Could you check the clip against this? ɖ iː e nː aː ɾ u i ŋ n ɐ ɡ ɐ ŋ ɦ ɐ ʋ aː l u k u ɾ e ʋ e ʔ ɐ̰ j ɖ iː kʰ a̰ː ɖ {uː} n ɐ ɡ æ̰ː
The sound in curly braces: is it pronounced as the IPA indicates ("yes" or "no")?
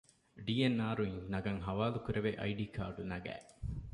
no